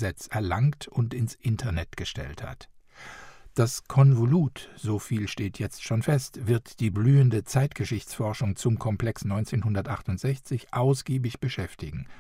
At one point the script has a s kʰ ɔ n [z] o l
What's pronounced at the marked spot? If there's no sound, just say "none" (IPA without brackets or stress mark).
v